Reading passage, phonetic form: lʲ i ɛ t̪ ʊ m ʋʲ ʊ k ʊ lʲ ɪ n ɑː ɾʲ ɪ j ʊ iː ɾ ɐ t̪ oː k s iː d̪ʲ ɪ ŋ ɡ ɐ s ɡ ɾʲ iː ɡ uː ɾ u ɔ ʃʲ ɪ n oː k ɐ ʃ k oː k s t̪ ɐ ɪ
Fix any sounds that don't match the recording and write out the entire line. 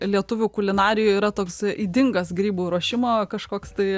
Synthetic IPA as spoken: lʲ i ɛ t̪ ʊ ʋʲ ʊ k ʊ lʲ ɪ n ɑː ɾʲ ɪ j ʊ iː ɾ ɐ t̪ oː k s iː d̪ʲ ɪ ŋ ɡ ɐ s ɡ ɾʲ iː b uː ɾ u ɔ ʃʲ ɪ m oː k ɐ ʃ k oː k s t̪ ɐ ɪ